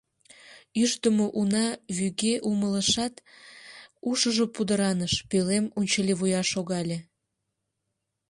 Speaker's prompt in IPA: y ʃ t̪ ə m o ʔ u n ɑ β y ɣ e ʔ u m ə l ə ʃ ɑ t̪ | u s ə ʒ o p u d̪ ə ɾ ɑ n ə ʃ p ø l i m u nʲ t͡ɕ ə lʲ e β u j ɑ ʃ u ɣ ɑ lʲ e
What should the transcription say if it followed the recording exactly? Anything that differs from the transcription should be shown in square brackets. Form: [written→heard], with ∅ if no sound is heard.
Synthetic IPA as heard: y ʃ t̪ ə m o ʔ u n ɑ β y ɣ e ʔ u m ə l ə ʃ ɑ t̪ | u [s→ʃ] ə ʒ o p u d̪ ə ɾ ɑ n ə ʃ p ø l [i→e] m u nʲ t͡ɕ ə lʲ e β u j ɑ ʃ [u→o] ɣ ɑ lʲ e

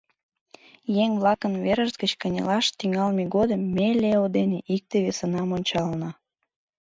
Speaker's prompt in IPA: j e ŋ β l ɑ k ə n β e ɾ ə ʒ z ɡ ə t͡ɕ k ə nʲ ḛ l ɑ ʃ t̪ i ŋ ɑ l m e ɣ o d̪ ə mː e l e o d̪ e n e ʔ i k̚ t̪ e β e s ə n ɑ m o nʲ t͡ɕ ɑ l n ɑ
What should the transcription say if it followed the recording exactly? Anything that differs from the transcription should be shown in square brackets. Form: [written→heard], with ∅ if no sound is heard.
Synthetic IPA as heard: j e ŋ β l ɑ k ə n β e ɾ ə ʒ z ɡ ə t͡ɕ k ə nʲ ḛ l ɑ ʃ t̪ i ŋ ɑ l m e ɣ o d̪ ə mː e l e o d̪ e n e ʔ i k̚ t̪ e β e s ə n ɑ m o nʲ t͡ɕ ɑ l n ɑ

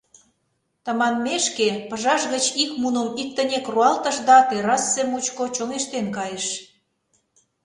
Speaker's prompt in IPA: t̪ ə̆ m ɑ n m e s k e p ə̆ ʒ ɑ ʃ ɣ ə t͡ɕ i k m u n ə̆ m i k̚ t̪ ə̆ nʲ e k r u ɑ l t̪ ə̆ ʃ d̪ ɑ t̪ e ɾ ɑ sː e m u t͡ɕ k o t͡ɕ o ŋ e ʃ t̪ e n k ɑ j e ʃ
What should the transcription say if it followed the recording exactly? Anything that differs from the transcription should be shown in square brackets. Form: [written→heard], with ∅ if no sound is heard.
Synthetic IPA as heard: t̪ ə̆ m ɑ n m e [s→ʃ] k e p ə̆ ʒ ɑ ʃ ɣ ə t͡ɕ i k m u n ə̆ m i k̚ t̪ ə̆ nʲ e k r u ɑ l t̪ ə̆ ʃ d̪ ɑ t̪ e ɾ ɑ sː e m u t͡ɕ k o t͡ɕ o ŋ e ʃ t̪ e n k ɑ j e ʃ

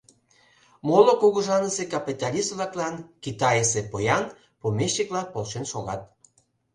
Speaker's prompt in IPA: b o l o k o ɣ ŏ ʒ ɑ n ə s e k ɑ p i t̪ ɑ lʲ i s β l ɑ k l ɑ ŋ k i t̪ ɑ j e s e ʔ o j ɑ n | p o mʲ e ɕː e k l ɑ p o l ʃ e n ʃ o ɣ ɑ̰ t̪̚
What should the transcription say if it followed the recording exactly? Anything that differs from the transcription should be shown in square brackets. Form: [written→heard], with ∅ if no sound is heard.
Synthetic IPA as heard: [b→m] o l o k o ɣ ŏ ʒ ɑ n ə s e k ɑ p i t̪ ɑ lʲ i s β l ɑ k l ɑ [ŋ→n] k i t̪ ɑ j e s e [ʔ→p] o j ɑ n | p o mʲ e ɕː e k l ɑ p o l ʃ e n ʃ o ɣ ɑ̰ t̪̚

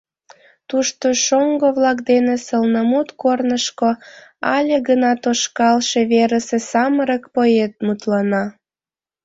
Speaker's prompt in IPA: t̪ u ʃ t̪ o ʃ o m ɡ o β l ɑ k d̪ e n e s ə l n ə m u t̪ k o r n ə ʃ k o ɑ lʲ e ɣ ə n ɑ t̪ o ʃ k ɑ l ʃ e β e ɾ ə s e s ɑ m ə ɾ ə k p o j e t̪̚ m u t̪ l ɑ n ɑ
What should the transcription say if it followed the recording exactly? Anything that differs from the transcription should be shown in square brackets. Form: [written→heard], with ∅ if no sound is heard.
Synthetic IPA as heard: t̪ u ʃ t̪ o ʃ o [m→ŋ] ɡ o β l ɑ k d̪ e n e s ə l n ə m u t̪ k o r n ə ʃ k o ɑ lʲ e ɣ ə n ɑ t̪ o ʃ k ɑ l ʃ e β e ɾ ə s e s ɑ m ə ɾ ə k p o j e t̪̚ m u t̪ l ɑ n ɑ

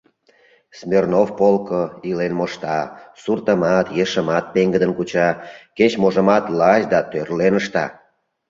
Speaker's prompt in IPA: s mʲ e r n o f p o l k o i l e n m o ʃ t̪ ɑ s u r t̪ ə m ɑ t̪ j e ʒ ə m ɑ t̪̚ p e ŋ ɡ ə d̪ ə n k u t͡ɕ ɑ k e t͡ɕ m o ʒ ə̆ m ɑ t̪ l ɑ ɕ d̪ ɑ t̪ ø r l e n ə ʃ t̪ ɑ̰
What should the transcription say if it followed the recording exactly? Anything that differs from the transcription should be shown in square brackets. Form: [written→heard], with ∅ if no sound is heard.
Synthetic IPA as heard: s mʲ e r n o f p o l k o i l e n m o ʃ t̪ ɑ s u r t̪ ə m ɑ t̪ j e [ʒ→ʃ] ə m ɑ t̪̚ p e ŋ ɡ ə d̪ ə n k u t͡ɕ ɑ k e t͡ɕ m o ʒ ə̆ m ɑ t̪ l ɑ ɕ d̪ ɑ t̪ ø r l e n ə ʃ t̪ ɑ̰

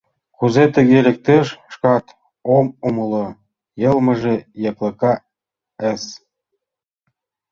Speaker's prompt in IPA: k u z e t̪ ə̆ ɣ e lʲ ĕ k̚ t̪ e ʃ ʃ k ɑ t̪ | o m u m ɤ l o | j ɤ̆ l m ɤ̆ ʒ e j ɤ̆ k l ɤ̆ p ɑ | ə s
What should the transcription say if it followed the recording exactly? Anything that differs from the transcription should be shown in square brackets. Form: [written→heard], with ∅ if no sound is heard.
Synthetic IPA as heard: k u z e t̪ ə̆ ɣ e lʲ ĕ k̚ t̪ e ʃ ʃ k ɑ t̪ | o m u m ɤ l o | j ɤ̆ l m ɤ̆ ʒ e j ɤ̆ k l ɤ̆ [p→k] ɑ | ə s

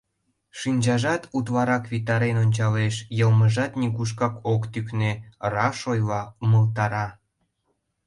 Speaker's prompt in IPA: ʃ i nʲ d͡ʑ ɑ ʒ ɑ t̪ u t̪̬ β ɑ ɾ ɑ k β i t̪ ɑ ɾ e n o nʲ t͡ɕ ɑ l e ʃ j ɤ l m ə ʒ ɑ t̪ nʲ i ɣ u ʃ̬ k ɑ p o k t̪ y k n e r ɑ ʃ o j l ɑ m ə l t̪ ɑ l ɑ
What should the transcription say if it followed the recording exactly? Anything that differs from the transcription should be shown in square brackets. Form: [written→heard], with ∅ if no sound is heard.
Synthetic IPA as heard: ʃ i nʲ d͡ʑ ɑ ʒ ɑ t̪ u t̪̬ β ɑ ɾ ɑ k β i t̪ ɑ ɾ e n o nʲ t͡ɕ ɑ l e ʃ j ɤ l m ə ʒ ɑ t̪ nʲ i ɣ u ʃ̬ k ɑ [p→k] o k t̪ y k n e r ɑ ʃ o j l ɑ m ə l t̪ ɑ [l→ɾ] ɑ

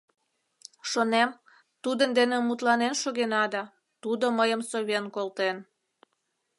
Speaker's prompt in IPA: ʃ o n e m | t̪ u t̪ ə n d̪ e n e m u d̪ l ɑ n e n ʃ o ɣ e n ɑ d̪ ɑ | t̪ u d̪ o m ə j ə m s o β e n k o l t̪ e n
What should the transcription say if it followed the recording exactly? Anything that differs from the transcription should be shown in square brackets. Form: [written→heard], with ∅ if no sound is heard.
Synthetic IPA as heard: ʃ o n e m | t̪ u [t̪→d̪] ə n d̪ e n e m u [d̪→t̪] l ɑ n e n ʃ o ɣ e n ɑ d̪ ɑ | t̪ u d̪ o m ə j ə m s o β e n k o l t̪ e n

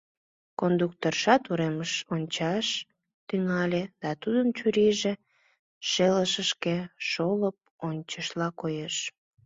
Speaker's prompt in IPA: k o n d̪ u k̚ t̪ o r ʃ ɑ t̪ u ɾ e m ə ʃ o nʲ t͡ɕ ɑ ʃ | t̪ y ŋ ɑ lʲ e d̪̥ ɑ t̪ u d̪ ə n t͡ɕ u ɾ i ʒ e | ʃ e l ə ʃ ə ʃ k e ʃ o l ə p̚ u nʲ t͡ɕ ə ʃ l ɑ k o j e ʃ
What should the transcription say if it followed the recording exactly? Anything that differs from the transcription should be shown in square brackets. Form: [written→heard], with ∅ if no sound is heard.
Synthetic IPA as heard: k o n d̪ u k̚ t̪ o r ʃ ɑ t̪ u ɾ e m ə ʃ o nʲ t͡ɕ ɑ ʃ | t̪ y ŋ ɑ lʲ e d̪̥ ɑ t̪ u d̪ ə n t͡ɕ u ɾ i ʒ e | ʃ e l ə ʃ ə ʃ k e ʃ o l ə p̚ [u→o] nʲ t͡ɕ ə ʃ l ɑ k o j e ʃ

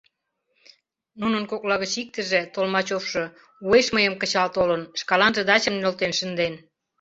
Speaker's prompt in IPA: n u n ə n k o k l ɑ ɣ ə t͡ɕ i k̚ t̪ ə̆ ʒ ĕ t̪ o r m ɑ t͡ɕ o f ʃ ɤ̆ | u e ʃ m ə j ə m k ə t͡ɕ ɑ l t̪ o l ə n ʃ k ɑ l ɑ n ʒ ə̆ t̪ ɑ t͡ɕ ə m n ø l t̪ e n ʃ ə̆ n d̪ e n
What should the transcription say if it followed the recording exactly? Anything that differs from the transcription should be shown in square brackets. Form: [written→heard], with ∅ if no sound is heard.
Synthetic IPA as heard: n u n ə n k o k l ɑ ɣ ə t͡ɕ i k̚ t̪ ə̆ ʒ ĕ t̪ o [r→l] m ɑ t͡ɕ o f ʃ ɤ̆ | u e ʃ m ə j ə m k ə t͡ɕ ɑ l t̪ o l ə n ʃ k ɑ l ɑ n ʒ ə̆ [t̪→d̪] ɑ t͡ɕ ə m n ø l t̪ e n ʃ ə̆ n d̪ e n

